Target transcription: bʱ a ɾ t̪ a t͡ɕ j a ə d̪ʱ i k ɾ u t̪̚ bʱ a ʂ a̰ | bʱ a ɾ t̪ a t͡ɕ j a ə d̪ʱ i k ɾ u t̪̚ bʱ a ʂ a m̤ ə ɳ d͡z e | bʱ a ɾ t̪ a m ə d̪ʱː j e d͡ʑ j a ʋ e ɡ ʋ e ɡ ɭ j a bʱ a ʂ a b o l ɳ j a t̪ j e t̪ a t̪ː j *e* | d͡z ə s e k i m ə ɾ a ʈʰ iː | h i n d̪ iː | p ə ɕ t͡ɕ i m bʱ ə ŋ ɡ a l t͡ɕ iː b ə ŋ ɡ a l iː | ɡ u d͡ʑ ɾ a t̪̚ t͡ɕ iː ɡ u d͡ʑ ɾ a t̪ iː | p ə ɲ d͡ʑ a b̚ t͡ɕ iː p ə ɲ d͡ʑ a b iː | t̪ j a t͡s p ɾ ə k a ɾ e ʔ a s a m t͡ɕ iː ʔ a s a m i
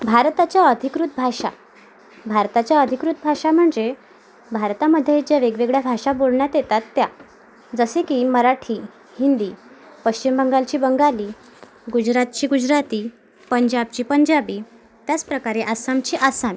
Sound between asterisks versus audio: incorrect: a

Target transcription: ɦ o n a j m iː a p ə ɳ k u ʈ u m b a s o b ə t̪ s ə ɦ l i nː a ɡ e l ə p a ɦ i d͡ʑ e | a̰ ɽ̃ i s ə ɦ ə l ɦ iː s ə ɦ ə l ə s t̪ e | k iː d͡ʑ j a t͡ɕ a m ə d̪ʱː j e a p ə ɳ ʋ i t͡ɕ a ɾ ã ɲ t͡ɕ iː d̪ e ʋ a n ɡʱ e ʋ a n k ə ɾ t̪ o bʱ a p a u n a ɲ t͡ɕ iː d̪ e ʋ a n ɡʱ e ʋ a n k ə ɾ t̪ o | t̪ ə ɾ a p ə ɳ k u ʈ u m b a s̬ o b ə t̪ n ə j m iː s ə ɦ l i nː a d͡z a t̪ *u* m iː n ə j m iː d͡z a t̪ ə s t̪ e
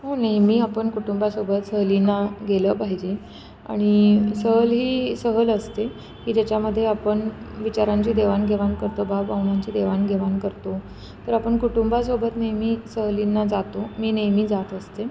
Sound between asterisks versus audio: incorrect: o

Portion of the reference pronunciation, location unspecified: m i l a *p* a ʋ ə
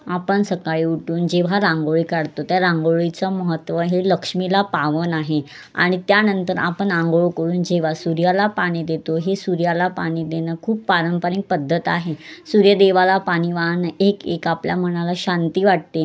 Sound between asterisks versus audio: correct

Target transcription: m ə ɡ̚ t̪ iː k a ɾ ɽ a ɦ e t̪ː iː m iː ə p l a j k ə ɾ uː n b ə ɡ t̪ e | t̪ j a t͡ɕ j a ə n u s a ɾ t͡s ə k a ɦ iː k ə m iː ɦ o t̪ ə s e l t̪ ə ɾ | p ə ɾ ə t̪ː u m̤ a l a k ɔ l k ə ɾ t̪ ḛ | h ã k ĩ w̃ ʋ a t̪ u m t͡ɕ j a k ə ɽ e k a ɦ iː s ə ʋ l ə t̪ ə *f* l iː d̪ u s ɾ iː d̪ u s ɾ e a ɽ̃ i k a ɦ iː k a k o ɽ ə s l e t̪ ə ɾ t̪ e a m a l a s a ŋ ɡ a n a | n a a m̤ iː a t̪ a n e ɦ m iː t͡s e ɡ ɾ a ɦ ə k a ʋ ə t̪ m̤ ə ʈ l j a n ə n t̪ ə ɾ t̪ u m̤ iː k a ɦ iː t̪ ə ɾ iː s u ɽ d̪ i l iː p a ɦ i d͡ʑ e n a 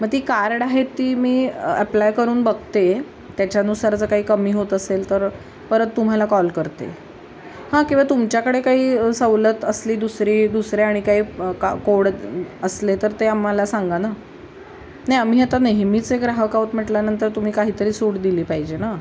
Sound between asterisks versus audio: incorrect: s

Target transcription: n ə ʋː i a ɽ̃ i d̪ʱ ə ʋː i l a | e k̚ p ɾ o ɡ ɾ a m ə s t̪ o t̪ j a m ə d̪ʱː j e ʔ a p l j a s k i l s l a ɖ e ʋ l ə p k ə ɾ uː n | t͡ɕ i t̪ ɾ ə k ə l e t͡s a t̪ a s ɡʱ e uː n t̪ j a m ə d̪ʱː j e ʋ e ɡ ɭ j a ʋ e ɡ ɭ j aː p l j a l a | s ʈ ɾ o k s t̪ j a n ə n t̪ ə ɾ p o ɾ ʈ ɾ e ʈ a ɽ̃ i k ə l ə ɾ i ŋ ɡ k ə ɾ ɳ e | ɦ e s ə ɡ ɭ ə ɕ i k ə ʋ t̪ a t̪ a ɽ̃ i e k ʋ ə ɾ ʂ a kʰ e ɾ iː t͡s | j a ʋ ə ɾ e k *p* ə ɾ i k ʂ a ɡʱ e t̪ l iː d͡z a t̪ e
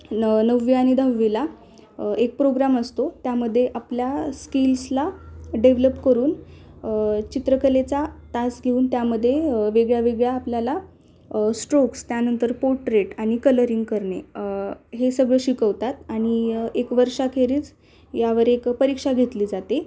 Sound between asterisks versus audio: correct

